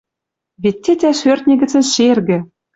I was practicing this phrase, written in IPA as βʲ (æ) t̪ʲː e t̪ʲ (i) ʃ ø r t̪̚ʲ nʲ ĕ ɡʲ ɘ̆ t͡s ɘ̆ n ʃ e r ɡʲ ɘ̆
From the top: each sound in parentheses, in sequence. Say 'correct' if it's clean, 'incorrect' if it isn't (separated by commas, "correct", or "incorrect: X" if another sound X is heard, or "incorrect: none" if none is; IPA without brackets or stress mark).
incorrect: e, incorrect: æ